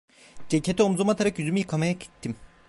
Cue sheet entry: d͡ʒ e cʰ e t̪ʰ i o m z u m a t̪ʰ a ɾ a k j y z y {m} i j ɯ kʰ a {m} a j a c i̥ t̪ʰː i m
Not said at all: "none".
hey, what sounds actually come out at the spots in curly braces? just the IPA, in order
m, m

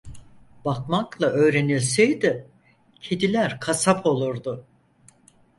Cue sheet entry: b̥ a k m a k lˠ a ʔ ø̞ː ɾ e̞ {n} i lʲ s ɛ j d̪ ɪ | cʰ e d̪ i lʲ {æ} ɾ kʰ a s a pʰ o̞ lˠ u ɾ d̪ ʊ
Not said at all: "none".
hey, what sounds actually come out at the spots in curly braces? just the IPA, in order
n, æ

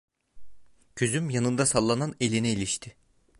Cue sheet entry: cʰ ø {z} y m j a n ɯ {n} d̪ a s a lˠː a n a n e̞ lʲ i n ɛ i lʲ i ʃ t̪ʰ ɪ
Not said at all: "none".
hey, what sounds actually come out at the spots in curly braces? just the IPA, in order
z, n

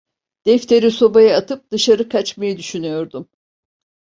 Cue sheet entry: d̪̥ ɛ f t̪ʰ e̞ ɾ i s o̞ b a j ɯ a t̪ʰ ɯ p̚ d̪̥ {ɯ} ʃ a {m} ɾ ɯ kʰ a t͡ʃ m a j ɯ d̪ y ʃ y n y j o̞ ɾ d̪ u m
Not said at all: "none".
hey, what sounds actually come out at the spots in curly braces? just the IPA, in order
ɯ, none

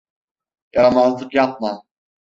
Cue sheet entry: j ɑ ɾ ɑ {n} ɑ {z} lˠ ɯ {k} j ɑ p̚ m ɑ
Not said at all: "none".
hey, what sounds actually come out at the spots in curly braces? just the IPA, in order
m, z, q

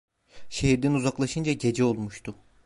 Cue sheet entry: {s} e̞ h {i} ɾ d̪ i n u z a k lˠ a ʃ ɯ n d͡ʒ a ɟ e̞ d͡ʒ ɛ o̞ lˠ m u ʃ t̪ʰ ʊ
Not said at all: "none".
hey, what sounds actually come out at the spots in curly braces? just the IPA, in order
ʃ, i

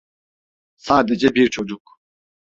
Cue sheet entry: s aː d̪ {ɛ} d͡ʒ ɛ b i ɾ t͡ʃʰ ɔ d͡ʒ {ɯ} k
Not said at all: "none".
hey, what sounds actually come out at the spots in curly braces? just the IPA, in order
ɛ, u

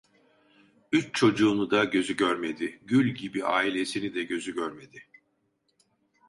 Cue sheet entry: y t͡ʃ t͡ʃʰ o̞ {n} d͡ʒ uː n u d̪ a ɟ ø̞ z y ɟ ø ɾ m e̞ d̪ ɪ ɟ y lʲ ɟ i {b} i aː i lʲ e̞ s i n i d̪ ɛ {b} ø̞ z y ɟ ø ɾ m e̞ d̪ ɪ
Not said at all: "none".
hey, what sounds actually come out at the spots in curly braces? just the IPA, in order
none, b, ɟ

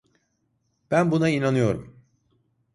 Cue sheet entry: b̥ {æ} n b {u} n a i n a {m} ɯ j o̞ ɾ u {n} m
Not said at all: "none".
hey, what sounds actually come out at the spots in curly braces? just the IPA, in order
æ, u, n, none

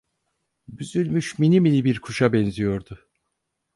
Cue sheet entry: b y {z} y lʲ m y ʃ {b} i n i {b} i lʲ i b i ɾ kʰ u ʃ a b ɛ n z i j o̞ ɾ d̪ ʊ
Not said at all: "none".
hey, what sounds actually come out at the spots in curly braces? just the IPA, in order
z, m, m

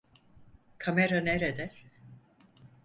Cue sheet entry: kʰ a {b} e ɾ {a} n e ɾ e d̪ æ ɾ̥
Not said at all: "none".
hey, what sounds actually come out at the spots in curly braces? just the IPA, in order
m, a

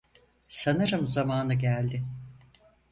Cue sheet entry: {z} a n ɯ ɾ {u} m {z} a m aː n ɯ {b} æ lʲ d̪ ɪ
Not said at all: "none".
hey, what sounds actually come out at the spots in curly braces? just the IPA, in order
s, ɯ, z, ɟ

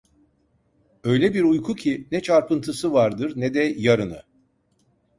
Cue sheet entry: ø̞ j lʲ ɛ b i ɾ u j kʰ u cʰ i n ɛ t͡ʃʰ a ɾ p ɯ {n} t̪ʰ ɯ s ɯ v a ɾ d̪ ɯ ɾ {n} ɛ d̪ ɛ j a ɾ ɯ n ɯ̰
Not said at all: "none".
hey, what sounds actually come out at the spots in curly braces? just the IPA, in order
n, n

